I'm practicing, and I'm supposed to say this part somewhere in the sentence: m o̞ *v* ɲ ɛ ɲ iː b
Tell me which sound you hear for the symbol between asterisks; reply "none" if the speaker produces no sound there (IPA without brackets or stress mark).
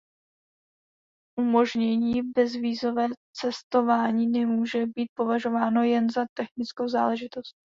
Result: ʒ